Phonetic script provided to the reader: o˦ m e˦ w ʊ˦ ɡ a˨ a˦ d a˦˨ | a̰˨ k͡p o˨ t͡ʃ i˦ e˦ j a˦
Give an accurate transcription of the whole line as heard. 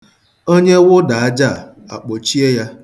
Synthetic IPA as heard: o˦ ɲ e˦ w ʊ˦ d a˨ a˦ d͡ʒ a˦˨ | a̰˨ k͡p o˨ t͡ʃ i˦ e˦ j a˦